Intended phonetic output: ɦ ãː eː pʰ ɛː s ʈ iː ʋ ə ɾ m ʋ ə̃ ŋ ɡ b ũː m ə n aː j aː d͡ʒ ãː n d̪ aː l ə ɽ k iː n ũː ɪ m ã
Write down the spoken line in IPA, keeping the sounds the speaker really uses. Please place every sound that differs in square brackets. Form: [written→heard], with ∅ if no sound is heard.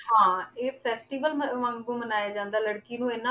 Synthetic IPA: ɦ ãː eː pʰ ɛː s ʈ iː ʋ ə [ɾ→l] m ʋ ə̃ ŋ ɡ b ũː m ə n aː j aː d͡ʒ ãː n d̪ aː l ə ɽ k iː n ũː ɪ [m→n] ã